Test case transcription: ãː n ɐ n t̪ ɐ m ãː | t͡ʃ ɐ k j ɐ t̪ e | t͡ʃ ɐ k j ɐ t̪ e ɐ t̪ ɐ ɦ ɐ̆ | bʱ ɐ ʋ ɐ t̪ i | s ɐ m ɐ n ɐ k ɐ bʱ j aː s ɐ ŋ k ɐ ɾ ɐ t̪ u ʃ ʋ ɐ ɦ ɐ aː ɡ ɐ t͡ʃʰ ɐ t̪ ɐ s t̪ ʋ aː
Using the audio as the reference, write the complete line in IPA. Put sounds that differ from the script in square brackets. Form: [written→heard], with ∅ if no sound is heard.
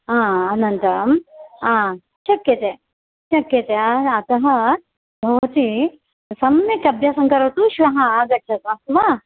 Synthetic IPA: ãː n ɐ n t̪ ɐ m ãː | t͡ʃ ɐ k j ɐ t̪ e | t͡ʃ ɐ k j ɐ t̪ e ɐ t̪ ɐ ɦ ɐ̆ | bʱ ɐ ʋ ɐ t̪ i | s ɐ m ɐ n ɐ k ɐ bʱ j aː s ɐ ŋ k ɐ ɾ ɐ t̪ u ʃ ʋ ɐ ɦ ɐ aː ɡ ɐ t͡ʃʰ ɐ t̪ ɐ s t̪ ʋ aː